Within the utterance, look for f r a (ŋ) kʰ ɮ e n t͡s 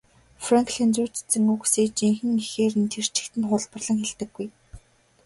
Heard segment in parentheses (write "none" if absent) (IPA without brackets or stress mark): ŋ